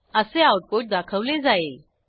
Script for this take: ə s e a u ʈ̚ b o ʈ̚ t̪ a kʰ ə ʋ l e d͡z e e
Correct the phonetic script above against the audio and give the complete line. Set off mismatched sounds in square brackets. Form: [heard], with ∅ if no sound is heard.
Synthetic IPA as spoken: ə s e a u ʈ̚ [p] o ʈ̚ [d̪] a kʰ ə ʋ l e d͡z [a] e